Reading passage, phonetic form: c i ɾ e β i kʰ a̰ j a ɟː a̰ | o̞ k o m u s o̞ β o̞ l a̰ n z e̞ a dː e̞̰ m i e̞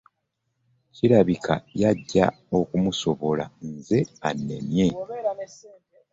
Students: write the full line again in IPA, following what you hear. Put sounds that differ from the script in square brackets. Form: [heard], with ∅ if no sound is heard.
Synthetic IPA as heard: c i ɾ [a] β i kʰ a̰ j a ɟː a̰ | o̞ k [u] m u s o̞ β o̞ l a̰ n z e̞ a [nː] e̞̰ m [j] e̞